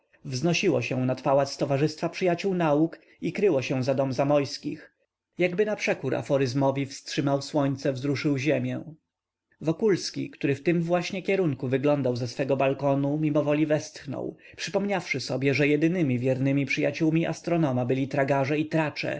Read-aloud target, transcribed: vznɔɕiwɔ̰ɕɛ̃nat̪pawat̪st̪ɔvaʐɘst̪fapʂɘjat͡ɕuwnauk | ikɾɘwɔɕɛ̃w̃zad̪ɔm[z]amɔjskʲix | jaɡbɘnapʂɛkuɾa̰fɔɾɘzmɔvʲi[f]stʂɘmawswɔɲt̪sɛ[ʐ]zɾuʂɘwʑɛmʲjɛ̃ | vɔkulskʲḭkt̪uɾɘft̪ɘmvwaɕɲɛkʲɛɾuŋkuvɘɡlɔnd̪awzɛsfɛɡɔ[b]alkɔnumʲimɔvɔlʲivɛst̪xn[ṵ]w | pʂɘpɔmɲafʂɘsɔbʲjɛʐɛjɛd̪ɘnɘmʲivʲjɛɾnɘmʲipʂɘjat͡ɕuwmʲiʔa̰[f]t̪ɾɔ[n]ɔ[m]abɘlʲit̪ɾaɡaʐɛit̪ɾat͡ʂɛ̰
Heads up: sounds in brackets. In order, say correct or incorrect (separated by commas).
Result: correct, correct, incorrect, correct, incorrect, incorrect, correct, correct